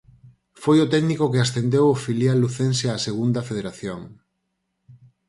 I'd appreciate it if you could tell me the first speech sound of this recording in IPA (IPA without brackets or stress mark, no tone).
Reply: f